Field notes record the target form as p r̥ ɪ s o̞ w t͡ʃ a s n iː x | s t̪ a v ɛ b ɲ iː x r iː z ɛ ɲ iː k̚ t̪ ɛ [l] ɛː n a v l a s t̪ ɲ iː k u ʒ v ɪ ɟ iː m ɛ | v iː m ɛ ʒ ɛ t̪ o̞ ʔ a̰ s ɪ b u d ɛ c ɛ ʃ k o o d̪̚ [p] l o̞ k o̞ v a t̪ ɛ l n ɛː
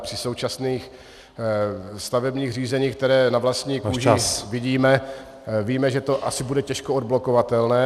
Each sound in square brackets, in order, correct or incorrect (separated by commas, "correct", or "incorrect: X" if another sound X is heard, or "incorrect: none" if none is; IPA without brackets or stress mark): incorrect: ɾ, incorrect: b